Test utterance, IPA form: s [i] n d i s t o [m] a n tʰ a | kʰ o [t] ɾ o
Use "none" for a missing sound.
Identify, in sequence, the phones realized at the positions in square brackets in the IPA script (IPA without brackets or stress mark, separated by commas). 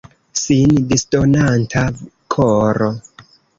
i, n, none